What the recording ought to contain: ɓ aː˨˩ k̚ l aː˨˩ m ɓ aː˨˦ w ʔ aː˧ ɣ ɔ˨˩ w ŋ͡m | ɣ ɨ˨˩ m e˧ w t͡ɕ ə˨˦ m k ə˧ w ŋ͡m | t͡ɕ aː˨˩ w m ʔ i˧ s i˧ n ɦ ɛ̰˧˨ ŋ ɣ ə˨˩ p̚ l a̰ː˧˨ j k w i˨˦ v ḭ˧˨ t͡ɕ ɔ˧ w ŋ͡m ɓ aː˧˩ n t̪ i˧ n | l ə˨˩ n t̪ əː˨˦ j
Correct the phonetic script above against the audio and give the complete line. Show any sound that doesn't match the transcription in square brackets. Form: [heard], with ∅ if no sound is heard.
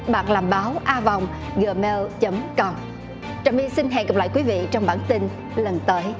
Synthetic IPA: ɓ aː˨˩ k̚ l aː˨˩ m ɓ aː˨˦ w ʔ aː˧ [v] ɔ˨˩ w ŋ͡m | ɣ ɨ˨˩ m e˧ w t͡ɕ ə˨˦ m k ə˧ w ŋ͡m | t͡ɕ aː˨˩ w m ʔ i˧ s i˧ n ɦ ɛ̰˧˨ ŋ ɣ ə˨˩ p̚ l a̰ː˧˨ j k w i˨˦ v ḭ˧˨ t͡ɕ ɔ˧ w ŋ͡m ɓ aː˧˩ n t̪ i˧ n | l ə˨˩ n t̪ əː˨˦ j

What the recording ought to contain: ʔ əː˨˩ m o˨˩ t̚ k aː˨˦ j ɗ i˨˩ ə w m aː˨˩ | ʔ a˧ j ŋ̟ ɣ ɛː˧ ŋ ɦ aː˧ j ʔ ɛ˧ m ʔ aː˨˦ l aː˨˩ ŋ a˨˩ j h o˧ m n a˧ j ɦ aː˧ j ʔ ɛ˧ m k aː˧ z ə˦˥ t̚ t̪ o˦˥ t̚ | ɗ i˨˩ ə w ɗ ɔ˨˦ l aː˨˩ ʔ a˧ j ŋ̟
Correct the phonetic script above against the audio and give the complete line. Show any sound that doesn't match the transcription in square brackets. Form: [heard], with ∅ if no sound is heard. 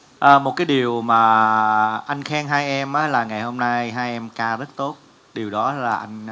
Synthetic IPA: ʔ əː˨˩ m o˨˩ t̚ k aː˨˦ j ɗ i˨˩ ə w m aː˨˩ | ʔ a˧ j ŋ̟ [x] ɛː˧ ŋ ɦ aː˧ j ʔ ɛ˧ m ʔ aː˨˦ l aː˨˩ ŋ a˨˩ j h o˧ m n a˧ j ɦ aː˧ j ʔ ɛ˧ m k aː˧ z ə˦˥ t̚ t̪ o˦˥ t̚ | ɗ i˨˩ ə w ɗ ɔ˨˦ l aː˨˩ ʔ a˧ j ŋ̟

